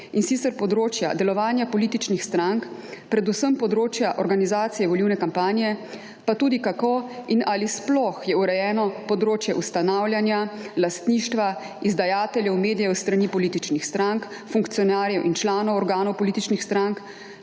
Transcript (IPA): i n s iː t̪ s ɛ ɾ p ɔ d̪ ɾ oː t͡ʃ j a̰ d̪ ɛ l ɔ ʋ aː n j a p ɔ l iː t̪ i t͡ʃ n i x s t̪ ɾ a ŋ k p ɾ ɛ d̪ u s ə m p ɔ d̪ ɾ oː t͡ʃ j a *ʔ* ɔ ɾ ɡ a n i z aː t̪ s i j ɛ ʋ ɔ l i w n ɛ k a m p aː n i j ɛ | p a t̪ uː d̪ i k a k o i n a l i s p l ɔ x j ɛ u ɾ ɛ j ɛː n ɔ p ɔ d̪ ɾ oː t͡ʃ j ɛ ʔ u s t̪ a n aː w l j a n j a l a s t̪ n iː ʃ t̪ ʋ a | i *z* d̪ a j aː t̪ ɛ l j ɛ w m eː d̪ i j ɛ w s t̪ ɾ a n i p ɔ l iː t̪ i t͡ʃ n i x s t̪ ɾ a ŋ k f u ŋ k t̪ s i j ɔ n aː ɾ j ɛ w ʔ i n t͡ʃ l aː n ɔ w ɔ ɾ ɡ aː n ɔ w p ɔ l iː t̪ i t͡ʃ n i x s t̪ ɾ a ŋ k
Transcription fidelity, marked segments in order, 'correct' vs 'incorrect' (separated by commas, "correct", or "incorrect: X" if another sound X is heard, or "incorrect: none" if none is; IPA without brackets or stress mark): correct, correct